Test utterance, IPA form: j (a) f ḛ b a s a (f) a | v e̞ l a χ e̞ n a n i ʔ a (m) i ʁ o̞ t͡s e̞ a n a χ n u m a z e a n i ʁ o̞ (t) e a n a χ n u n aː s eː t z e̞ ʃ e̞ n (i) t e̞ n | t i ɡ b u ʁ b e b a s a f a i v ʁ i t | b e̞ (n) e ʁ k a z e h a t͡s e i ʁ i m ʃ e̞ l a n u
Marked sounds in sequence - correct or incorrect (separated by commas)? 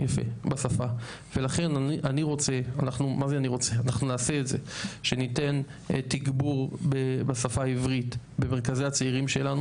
correct, correct, incorrect, incorrect, correct, incorrect